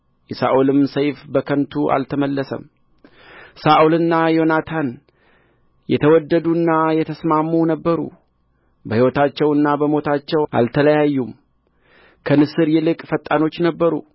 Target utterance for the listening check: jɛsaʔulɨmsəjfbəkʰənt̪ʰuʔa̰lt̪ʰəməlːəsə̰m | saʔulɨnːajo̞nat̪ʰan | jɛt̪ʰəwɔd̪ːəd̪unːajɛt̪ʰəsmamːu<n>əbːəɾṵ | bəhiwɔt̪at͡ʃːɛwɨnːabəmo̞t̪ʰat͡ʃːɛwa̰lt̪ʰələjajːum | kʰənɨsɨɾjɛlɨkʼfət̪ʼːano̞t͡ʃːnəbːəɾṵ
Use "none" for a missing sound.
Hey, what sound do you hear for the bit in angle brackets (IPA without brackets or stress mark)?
n